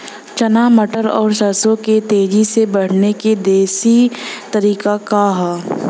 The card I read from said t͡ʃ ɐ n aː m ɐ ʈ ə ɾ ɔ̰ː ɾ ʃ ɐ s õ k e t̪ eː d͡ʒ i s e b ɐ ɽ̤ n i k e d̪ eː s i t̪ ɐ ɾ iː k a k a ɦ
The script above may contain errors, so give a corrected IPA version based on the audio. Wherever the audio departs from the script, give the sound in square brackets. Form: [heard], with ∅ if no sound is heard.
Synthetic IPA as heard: t͡ʃ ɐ n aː m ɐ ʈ ə ɾ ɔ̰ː ɾ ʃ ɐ s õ k e t̪ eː d͡ʒ i s e b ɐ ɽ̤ n [e] k e d̪ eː s i t̪ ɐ ɾ iː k a k a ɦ